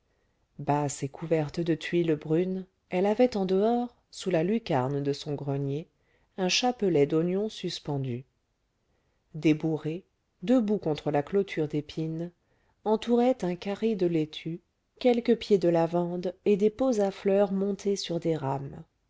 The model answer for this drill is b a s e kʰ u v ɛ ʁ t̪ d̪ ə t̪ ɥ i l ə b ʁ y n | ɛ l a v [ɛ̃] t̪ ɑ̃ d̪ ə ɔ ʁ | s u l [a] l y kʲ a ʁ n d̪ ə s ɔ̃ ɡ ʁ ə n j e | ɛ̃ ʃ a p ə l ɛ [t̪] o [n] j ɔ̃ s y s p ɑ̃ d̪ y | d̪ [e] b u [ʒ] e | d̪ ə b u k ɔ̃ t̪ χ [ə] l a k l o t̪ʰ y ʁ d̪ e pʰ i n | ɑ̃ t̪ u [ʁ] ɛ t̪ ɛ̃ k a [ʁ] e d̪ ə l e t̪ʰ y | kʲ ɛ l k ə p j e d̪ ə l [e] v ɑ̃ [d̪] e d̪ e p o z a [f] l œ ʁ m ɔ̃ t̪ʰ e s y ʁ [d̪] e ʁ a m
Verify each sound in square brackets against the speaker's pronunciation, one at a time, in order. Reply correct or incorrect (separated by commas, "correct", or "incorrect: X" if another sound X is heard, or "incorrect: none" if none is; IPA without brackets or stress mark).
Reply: incorrect: ɛ, correct, incorrect: d̪, correct, correct, incorrect: ʁ, correct, correct, correct, incorrect: a, correct, correct, correct